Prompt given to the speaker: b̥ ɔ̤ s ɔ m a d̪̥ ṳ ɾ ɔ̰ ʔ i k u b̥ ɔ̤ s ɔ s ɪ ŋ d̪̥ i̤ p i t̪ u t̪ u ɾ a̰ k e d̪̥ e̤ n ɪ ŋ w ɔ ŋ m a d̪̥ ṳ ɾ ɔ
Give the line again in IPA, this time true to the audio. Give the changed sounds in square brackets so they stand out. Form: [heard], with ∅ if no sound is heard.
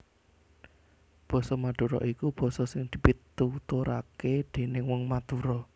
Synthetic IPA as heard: b̥ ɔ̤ s ɔ m a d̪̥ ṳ ɾ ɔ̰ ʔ i k u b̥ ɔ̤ s ɔ s ɪ ŋ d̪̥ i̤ p i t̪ u t̪ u ɾ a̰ k e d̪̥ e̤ n ɪ ŋ w ɔ ŋ m a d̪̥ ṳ ɾ ɔ

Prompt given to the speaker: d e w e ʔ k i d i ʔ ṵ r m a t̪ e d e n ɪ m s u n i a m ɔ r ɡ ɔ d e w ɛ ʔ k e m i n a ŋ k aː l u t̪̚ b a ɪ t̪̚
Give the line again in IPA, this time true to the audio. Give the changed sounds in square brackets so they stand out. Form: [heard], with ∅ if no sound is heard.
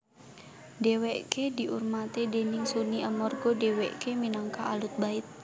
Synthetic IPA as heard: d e w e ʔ k [e] d i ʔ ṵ r m a t̪ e d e n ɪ [ŋ] s u n i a m ɔ r ɡ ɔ d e w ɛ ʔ k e m i n a ŋ k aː l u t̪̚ b a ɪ t̪̚

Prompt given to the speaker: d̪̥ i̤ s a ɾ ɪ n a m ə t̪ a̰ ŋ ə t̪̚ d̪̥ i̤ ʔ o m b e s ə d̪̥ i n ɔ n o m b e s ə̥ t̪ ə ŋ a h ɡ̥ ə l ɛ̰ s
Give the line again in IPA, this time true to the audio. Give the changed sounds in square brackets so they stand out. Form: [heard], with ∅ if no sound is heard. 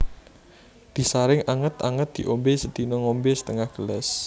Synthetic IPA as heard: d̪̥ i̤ s a ɾ ɪ [ŋ] a [ŋ] ə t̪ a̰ ŋ ə t̪̚ d̪̥ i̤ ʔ o m b e s ə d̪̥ i n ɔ [ŋ] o m b e s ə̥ t̪ ə ŋ a h ɡ̥ ə l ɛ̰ s

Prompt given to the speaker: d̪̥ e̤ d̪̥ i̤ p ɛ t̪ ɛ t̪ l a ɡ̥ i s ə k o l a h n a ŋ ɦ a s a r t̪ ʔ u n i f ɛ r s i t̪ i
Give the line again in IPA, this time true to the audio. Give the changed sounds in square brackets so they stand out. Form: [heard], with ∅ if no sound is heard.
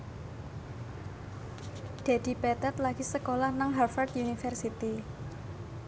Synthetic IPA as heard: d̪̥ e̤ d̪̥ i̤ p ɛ t̪ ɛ t̪ l a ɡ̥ i s ə k o l a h n a ŋ ɦ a [f] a r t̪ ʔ u n i f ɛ r s i t̪ i

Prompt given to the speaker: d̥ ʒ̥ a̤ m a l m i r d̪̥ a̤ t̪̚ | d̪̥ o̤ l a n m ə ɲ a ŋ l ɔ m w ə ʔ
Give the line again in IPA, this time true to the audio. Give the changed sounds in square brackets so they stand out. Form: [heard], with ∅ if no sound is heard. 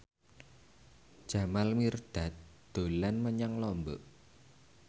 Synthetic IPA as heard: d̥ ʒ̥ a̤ m a l m i r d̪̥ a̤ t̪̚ | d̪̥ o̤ l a n m ə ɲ a ŋ l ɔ m [b] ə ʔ

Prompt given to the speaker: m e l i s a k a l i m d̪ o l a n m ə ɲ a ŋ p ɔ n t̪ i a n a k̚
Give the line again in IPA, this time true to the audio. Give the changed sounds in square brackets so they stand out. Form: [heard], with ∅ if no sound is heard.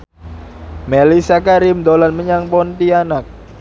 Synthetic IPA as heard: m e l i s a k a [ɾ] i m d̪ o l a n m ə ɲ a ŋ p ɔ n t̪ i a n a k̚

